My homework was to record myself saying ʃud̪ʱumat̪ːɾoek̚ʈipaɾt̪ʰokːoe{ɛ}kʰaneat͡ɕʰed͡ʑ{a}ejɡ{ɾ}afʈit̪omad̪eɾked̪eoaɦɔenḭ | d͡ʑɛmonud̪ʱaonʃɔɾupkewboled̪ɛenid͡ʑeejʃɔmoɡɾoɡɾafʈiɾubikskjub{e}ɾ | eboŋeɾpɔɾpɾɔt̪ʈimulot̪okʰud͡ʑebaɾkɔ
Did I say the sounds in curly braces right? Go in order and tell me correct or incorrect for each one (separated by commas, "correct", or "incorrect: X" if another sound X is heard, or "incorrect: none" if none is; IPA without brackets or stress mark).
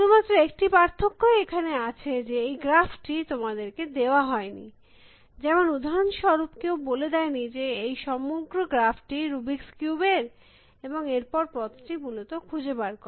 incorrect: e, incorrect: e, correct, correct